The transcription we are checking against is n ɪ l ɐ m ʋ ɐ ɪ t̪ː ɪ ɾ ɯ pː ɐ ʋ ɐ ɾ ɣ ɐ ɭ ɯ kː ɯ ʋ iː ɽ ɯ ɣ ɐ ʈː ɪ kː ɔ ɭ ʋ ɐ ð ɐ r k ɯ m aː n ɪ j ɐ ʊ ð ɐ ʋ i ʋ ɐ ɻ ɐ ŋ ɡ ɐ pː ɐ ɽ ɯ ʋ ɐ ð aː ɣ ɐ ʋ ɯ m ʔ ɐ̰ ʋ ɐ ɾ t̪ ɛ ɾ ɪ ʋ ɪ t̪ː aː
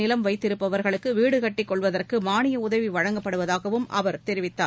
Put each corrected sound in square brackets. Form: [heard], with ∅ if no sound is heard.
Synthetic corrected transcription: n ɪ l ɐ m ʋ ɐ ɪ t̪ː ɪ ɾ ɯ pː ɐ ʋ ɐ ɾ ɣ ɐ ɭ ɯ kː ɯ ʋ iː ɽ ɯ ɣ ɐ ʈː ɪ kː ɔ ɭ ʋ ɐ ð ɐ r k ɯ m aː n ɪ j ɐ ʊ ð ɐ ʋ i ʋ ɐ ɻ ɐ ŋ ɡ ɐ pː ɐ ɽ ɯ ʋ ɐ ð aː ɣ ɐ ʋ ɯ m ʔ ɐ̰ ʋ ɐ ɾ t̪ ɛ ɾ ɪ ʋ ɪ t̪ː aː

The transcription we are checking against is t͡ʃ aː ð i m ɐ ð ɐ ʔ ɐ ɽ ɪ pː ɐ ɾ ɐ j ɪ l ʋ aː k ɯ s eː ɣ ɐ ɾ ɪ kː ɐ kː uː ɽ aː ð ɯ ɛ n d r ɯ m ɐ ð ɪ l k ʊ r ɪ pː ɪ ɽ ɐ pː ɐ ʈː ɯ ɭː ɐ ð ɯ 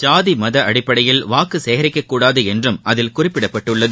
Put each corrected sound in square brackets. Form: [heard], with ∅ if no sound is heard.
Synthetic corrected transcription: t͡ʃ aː ð i m ɐ ð ɐ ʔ ɐ ɽ ɪ pː ɐ [ɽ] ɐ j ɪ l ʋ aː k ɯ s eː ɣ ɐ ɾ ɪ kː ɐ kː uː ɽ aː ð ɯ ɛ n d r ɯ m ɐ ð ɪ l k ʊ r ɪ pː ɪ ɽ ɐ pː ɐ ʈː ɯ ɭː ɐ ð ɯ

